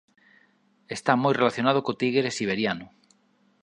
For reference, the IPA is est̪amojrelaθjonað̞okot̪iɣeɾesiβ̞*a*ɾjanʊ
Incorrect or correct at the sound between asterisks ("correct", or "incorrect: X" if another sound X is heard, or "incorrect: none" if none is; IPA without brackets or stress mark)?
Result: incorrect: e